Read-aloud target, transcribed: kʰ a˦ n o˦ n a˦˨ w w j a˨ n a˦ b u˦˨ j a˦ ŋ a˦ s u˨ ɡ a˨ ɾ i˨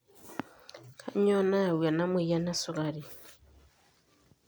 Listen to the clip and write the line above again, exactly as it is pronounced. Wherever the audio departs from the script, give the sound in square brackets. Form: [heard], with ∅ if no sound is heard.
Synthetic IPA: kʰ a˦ [ɲ] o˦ n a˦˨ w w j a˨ n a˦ [m] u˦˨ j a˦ [n] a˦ s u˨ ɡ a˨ ɾ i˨